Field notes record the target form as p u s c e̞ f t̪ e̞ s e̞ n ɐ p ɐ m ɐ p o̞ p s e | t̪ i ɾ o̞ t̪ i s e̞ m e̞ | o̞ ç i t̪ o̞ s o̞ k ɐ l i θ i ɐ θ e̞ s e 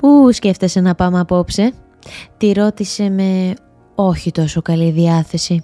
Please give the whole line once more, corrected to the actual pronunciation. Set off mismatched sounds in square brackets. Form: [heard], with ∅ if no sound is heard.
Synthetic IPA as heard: p u s c e̞ f t̪ e̞ s e̞ n ɐ p ɐ m ɐ p o̞ p s e | t̪ i ɾ o̞ t̪ i s e̞ m e̞ | o̞ ç i t̪ o̞ s o̞ k ɐ l i [ð] i ɐ θ e̞ s [i]